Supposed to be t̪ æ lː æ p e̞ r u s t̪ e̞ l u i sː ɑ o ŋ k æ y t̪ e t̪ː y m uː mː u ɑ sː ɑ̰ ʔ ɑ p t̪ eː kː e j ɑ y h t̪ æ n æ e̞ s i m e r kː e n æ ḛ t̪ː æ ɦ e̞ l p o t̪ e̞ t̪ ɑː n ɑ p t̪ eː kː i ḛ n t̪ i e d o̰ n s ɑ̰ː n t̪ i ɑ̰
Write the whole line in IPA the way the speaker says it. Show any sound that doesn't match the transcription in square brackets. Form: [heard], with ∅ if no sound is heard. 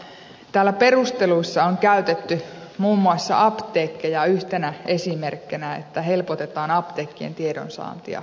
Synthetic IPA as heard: t̪ [æː] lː æ p e̞ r u s t̪ e̞ l u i sː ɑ o ŋ k æ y t̪ e t̪ː y m uː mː u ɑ sː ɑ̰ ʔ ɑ p t̪ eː kː e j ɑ y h t̪ [e] n æ e̞ s i m e r kː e n æ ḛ t̪ː æ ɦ e̞ l p o t̪ e̞ t̪ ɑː n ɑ p t̪ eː kː i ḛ n t̪ i e d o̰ n s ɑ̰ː n t̪ i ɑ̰